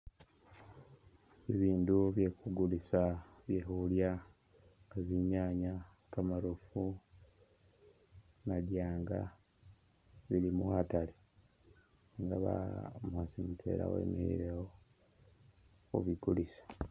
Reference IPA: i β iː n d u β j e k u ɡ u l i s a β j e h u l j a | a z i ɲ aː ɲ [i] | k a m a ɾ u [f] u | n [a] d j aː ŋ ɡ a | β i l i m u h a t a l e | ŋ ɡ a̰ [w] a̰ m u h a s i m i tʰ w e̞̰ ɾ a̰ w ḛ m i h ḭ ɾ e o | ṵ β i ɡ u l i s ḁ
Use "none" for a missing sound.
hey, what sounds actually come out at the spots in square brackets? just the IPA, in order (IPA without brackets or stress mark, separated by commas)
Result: a, f, a, β